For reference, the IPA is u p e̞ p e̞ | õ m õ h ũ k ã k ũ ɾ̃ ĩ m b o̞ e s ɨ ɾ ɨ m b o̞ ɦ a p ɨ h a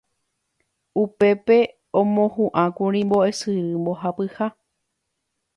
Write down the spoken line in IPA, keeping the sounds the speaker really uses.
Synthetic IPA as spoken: u p e̞ p e̞ | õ m õ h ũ ʔ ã k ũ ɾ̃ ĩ m b o̞ e s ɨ ɾ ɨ m b o̞ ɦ a p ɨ h a